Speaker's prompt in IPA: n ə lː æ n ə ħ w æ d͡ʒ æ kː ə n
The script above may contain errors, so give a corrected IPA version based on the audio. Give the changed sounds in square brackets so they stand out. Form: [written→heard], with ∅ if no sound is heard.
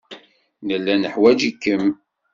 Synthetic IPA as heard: n ə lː æ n ə ħ w æ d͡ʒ [æ→i] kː ə [n→m]